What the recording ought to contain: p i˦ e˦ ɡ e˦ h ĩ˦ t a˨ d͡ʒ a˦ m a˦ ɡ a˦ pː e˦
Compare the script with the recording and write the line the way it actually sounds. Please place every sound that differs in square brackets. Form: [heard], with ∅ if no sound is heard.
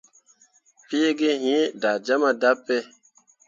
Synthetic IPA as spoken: p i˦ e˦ ɡ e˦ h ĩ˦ [d] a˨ d͡ʒ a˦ m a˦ [d] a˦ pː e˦